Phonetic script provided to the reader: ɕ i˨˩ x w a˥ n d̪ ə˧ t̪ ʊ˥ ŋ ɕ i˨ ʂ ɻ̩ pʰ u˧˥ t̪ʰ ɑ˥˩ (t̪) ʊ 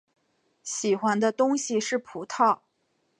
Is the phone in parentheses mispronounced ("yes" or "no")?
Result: yes